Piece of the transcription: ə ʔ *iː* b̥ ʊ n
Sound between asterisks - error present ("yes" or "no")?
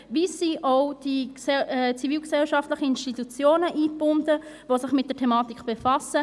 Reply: no